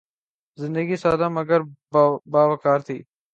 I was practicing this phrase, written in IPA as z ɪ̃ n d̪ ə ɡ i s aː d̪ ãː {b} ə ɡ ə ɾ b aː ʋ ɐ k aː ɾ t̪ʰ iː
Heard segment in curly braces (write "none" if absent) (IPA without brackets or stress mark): m